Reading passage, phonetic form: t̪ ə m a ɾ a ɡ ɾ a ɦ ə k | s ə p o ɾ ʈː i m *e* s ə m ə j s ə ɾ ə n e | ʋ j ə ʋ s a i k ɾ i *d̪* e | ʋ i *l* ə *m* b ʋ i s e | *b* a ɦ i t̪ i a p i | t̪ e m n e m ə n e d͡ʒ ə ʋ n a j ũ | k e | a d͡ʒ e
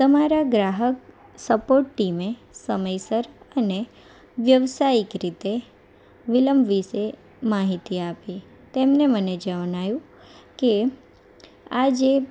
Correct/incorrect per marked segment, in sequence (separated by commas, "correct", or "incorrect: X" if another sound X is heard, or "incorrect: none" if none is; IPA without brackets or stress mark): correct, incorrect: t̪, correct, correct, incorrect: m